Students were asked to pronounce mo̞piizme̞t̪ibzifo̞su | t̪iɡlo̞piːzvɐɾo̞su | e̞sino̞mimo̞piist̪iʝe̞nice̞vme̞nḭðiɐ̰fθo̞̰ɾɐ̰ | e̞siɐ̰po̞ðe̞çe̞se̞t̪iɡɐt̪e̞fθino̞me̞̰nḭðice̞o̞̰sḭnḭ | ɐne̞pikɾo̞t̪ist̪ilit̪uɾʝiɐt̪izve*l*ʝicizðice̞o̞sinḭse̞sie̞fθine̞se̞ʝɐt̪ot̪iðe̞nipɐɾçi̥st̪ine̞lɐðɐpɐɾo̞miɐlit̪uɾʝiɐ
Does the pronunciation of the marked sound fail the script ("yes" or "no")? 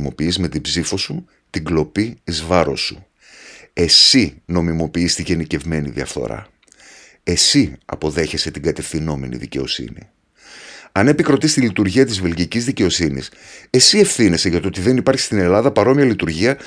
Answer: no